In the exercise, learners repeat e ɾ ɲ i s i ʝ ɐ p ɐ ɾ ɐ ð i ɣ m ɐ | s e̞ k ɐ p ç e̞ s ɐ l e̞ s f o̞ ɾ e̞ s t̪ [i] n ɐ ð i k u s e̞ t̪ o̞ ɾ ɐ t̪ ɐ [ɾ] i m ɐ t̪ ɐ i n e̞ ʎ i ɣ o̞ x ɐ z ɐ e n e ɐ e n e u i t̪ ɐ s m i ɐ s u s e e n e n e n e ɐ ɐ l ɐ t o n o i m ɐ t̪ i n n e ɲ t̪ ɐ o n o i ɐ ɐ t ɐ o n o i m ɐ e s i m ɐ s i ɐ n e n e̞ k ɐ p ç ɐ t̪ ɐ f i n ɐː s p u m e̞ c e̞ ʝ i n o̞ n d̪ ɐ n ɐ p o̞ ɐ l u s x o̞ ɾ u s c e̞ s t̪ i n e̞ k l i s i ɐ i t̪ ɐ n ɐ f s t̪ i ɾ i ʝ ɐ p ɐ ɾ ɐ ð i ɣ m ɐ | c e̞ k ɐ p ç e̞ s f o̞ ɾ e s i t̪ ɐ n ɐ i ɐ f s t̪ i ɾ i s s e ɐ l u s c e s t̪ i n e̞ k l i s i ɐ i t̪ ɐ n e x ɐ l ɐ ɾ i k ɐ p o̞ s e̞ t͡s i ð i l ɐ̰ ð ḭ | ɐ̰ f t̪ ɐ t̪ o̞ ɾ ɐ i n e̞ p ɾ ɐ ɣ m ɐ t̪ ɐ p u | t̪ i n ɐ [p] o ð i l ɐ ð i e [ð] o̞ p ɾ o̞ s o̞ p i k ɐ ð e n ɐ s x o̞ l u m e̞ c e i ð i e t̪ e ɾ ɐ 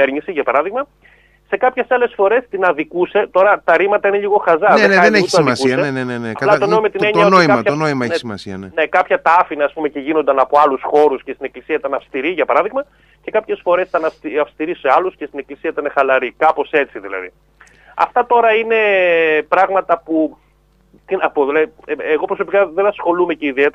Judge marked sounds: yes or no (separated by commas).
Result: yes, yes, yes, no